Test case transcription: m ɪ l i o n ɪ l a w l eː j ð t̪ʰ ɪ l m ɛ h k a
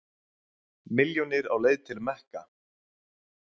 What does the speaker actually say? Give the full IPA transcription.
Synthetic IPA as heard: m ɪ l j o n ɪ ɾ a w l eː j ð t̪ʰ ɪ l m ɛ h k a

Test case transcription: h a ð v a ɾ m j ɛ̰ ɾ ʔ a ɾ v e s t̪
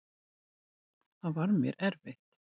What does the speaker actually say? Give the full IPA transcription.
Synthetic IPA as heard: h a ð v a ɾ m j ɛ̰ ɾ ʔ ɛ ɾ v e h t̪

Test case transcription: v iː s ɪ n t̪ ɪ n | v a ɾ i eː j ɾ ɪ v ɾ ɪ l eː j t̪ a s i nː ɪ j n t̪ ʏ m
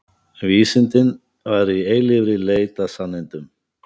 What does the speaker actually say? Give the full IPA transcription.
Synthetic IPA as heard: v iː s ɪ n t̪ ɪ n | v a ɾ i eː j l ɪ v ɾ ɪ l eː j t̪ a s a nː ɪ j n t̪ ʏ m

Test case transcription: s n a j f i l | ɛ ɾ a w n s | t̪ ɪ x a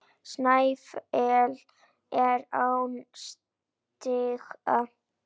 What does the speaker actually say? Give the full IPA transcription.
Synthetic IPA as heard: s n a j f ɛ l | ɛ ɾ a w n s | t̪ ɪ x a

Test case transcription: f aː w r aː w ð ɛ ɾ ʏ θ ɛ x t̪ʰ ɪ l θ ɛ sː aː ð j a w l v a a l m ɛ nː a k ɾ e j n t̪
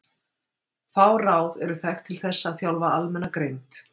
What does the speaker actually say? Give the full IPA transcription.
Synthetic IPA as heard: f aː w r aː w ð ɛ ɾ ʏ θ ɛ x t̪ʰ ɪ l θ ɛ sː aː θ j a w l v a a l m ɛ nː a k ɾ e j n t̪

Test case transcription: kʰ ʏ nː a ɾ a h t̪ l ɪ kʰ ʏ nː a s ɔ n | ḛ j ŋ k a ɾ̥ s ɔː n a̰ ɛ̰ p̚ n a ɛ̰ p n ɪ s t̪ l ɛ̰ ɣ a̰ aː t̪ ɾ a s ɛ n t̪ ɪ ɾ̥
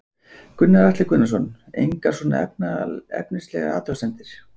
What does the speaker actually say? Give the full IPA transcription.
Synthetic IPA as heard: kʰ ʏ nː a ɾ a h t̪ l ɪ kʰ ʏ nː a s ɔ n | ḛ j ŋ k a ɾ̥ s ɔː n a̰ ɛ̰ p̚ n a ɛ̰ p n ɪ s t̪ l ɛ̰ ɣ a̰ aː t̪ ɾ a s ɛ n t̪ ɪ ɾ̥

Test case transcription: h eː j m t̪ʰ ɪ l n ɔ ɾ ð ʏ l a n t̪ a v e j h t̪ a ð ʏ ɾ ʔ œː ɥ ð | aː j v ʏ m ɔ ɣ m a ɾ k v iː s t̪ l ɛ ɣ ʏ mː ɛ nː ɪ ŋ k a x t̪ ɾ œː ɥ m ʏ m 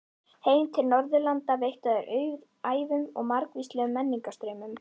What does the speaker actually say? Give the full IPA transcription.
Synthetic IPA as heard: h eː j m t̪ʰ ɪ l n ɔ ɾ ð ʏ l a n t̪ a v e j h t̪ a ð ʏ ɾ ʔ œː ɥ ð | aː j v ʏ m ɔ ɣ m a ɾ k v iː s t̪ l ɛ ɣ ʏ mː ɛ nː i ŋ k a s t̪ ɾ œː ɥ m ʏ m

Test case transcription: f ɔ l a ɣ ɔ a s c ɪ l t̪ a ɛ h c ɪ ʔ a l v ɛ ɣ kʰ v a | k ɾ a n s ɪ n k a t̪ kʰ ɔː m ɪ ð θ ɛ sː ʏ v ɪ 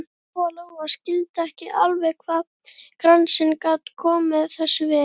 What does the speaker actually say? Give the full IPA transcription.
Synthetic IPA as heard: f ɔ l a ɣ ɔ a s c ɪ l t̪ a ɛ h c ɪ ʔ a l v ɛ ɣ kʰ v a | k ɾ a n s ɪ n k a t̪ kʰ ɔː m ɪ ð θ ɛ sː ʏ v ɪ

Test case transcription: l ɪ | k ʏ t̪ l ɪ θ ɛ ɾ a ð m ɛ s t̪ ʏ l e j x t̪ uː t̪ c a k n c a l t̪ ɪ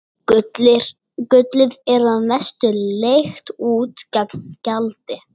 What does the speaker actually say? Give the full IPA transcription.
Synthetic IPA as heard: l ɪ | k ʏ t̪ l ɪ ð ɛ ɾ a ð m ɛ s t̪ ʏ l e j x t̪ uː t̪ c a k n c a l t̪ ɪ

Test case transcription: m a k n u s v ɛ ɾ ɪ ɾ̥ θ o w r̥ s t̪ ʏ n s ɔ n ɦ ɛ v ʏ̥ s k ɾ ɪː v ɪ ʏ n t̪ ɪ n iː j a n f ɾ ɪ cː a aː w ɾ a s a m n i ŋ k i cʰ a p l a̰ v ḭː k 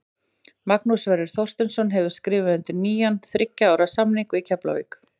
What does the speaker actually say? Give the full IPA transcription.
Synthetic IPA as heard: m a k n u s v ɛ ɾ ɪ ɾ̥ θ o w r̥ s t̪ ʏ n s ɔ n ɦ ɛ v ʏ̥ s k ɾ ɪː v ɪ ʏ n t̪ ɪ n iː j a n θ ɾ ɪ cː a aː w ɾ a s a m n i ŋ k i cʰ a p l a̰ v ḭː k

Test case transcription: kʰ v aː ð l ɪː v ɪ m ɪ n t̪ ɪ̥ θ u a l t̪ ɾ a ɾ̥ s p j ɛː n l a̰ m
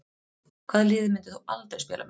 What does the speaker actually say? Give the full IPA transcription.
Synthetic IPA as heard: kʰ v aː ð l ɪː ð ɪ m ɪ n t̪ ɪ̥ θ u a l t̪ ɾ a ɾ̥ s p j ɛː l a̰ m

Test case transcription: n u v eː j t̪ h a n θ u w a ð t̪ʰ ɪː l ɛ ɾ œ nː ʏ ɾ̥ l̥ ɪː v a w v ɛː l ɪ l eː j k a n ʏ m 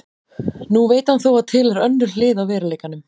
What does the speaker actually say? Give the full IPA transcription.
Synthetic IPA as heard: n u v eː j t̪ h a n θ o w a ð t̪ʰ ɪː l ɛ ɾ œ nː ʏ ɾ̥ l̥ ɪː ð a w v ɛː ɾ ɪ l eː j k a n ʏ m

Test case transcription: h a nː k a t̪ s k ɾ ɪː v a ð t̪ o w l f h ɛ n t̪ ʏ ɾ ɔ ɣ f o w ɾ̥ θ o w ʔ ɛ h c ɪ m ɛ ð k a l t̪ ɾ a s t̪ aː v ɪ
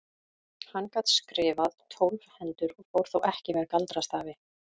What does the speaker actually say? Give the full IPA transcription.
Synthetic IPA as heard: h a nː k a t̪ s k ɾ ɪː v a ð t̪ʰ o w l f h ɛ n t̪ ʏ ɾ ɔ ɣ f o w ɾ̥ θ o w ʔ ɛ h c ɪ m ɛ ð k a l t̪ ɾ a s t̪ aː v ɪ

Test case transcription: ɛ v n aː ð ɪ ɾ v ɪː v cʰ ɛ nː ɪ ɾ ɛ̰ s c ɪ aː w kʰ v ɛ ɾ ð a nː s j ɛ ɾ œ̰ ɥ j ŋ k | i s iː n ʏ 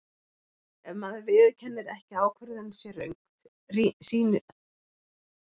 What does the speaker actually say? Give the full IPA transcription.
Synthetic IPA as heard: ɛ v m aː ð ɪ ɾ v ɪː ð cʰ ɛ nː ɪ ɾ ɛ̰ h c ɪ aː w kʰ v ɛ ɾ ð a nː s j ɛ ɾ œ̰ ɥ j ŋ k | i s iː n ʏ

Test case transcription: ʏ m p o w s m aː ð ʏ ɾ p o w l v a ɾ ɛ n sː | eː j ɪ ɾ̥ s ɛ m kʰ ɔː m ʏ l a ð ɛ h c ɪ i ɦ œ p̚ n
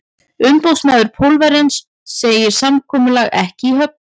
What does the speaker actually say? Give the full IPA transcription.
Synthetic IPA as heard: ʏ m p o w s m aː ð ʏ ɾ pʰ o w l v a ɾ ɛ n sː | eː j ɪ ɾ̥ s a m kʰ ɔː m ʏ l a ɣ ɛ h c ɪ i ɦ œ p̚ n

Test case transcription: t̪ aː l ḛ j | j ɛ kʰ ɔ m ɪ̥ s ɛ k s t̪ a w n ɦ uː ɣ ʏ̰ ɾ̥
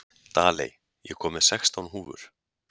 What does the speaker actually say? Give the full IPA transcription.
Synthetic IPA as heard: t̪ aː l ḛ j | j ɛ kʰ ɔː m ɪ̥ s ɛ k s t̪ a w n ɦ uː v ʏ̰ ɾ̥

